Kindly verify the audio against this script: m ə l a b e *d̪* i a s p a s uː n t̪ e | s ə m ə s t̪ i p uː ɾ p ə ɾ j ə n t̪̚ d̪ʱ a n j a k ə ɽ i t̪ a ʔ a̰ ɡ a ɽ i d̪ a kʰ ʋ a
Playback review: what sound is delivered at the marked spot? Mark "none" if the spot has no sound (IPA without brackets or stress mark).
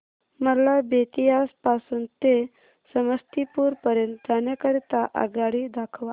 t̪